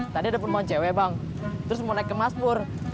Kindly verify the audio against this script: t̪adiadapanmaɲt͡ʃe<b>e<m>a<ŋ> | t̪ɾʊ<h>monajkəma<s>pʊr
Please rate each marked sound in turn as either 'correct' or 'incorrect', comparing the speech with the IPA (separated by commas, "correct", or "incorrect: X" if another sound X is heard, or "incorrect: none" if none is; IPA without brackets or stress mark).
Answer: incorrect: w, incorrect: b, correct, incorrect: s, correct